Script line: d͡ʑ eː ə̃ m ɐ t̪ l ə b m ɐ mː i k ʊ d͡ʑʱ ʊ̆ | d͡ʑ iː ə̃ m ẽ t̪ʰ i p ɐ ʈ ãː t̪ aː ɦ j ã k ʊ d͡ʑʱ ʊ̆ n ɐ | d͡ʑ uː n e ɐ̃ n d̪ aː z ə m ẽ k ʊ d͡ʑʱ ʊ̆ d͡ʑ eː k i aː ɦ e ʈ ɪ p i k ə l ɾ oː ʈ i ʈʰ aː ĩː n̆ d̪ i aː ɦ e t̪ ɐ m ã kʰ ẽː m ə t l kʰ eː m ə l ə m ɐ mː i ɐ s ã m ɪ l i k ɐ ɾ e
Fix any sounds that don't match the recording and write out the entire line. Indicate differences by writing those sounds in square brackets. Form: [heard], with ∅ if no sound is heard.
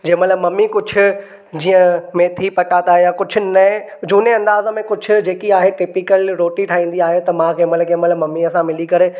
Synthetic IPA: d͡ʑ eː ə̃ m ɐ t̪ l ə b m ɐ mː i k ʊ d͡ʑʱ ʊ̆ | d͡ʑ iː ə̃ m ẽ t̪ʰ i p ɐ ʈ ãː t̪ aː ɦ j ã k ʊ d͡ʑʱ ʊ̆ n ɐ | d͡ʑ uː n e ɐ̃ n d̪ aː z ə m ẽ k ʊ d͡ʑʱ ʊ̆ d͡ʑ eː k i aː ɦ e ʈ ɪ p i k ə l ɾ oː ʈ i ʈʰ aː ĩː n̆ d̪ i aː ɦ e t̪ ɐ m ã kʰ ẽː m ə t l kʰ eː m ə l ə m ɐ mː i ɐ s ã m ɪ l i k ɐ ɾ e